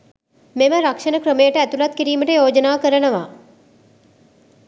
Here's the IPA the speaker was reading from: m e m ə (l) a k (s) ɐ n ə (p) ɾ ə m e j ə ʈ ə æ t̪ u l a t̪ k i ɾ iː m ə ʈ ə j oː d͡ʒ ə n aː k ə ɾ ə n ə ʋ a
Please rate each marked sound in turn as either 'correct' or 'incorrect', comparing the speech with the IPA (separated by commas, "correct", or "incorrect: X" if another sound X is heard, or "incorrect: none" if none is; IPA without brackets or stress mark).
incorrect: ɾ, incorrect: ʂ, incorrect: k